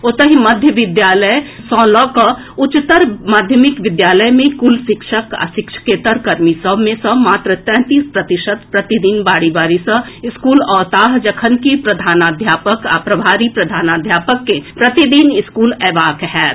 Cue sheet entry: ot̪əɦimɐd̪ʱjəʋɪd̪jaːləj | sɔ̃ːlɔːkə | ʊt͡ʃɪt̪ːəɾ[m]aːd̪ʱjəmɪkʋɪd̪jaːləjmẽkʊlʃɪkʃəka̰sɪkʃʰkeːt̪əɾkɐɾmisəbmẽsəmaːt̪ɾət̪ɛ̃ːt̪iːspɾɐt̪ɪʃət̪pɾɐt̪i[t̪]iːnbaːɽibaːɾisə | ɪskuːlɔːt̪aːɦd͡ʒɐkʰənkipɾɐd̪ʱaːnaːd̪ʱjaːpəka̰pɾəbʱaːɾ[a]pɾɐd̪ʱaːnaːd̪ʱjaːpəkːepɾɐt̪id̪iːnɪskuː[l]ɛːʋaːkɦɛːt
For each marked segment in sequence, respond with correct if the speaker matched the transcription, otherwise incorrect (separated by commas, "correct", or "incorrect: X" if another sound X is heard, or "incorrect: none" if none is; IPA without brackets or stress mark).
correct, incorrect: d̪, incorrect: i, correct